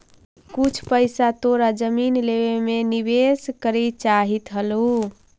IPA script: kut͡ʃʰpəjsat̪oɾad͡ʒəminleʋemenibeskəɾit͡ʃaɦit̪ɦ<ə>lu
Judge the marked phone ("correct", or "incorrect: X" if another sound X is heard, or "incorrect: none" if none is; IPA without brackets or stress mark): correct